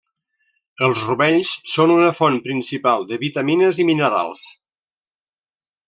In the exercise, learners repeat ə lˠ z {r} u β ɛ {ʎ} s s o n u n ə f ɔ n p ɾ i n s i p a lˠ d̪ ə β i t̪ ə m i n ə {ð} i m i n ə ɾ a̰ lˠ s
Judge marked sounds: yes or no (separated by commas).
yes, yes, no